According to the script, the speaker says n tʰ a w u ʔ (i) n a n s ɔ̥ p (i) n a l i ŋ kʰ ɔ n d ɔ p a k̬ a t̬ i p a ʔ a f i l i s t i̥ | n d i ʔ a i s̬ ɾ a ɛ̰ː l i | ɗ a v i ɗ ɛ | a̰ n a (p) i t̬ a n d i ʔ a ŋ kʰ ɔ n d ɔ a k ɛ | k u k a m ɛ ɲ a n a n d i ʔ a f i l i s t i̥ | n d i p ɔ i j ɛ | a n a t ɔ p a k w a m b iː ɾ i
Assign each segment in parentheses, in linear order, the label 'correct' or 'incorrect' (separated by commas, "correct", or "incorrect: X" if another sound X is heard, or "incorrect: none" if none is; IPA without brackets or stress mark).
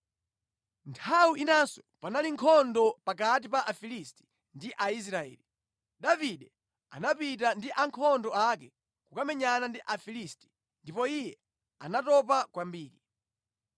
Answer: correct, incorrect: a, correct